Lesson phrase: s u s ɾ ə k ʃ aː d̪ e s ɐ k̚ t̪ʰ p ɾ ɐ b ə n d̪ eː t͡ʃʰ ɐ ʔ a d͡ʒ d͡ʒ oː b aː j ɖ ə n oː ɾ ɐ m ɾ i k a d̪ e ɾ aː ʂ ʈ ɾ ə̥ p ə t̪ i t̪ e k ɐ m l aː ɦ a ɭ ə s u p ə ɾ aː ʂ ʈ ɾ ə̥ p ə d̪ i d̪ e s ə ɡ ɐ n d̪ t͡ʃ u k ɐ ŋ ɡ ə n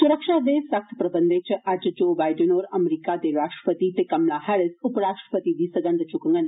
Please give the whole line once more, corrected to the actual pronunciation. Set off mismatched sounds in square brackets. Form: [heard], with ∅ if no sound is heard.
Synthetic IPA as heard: s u [∅] ɾ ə k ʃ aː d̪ e s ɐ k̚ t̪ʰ p ɾ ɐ b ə n d̪ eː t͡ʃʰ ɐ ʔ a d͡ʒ d͡ʒ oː b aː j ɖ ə n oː ɾ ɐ m ɾ i k a d̪ e ɾ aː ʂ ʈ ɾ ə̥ p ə t̪ i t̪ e k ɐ m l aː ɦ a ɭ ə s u p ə ɾ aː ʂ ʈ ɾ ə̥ p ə [t̪] i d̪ [i] s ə ɡ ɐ n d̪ t͡ʃ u k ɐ ŋ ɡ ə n